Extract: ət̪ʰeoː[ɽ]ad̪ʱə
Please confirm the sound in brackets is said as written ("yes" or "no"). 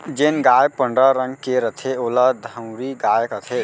no